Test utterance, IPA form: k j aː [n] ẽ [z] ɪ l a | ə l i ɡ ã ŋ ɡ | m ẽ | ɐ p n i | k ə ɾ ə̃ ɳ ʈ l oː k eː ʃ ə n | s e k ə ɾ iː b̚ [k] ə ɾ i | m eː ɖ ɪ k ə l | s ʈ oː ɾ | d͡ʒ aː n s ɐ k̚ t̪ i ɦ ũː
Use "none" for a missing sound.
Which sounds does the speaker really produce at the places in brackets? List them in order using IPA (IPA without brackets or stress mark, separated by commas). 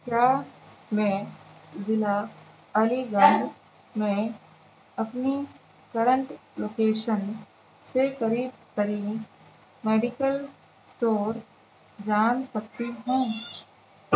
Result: m, z, k